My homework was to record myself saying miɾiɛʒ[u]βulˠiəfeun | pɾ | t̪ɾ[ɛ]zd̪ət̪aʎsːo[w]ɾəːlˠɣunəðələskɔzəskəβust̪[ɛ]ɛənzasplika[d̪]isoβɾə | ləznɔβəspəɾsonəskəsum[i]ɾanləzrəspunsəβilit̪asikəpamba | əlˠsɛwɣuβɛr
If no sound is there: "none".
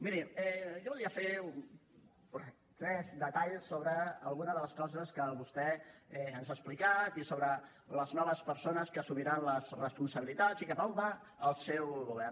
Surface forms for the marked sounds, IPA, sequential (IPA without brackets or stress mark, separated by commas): ɔ, ɛ, β, ɛ, t̪, i